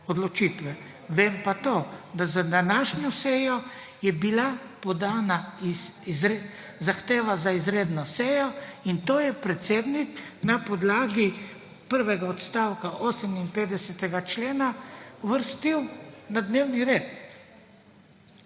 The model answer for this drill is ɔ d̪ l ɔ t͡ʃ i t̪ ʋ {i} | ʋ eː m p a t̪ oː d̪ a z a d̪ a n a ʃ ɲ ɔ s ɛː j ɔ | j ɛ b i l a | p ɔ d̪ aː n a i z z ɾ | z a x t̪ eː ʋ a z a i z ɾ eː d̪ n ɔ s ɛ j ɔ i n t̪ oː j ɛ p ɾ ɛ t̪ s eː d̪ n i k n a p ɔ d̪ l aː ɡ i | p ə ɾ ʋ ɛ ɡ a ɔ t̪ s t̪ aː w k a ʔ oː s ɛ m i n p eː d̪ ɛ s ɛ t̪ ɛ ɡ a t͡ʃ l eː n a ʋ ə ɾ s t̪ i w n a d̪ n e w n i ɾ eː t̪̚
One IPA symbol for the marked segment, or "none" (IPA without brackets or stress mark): ɛ